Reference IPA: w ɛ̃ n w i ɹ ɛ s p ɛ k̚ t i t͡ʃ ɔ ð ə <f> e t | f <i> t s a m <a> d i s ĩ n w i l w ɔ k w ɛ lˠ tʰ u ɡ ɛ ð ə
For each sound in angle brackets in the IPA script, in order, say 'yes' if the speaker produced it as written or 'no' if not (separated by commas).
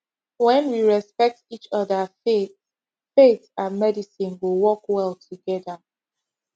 yes, no, no